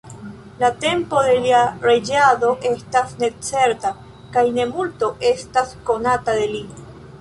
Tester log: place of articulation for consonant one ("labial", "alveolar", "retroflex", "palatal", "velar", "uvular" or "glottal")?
alveolar